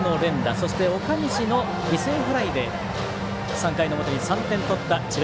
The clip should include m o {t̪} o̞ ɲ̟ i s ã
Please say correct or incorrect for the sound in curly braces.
correct